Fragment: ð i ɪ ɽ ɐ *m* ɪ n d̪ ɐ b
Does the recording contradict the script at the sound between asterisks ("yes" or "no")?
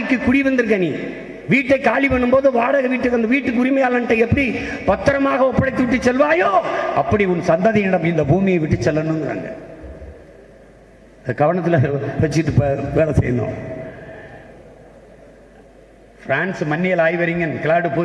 no